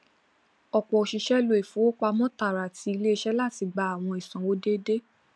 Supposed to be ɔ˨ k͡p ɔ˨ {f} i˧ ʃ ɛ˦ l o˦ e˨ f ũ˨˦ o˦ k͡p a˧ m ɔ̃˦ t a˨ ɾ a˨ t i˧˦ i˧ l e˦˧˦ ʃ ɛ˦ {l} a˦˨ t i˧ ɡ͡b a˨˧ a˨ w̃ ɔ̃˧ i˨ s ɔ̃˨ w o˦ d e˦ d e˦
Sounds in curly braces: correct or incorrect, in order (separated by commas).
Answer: incorrect, correct